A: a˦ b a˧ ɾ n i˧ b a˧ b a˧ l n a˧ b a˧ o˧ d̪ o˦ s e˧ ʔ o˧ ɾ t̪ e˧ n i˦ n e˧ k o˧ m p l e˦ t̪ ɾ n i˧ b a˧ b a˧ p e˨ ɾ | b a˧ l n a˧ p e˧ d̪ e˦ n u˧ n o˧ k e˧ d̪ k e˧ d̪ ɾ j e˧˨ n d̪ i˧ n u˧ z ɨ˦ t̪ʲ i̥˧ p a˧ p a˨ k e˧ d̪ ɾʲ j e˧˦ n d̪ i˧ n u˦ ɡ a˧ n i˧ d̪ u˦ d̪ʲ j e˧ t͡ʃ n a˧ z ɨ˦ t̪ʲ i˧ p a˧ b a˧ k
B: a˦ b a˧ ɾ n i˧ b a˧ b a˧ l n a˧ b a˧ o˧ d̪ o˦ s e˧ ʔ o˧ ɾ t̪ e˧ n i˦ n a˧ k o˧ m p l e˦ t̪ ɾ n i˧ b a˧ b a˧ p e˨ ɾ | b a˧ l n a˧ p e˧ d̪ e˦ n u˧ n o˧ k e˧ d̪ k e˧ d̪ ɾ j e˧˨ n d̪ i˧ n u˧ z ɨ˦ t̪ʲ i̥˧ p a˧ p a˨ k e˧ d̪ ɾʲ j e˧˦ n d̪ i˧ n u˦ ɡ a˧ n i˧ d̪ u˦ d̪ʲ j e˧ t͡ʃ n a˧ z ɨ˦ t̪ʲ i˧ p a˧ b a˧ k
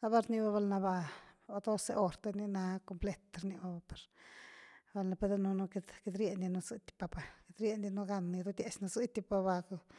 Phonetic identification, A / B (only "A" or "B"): B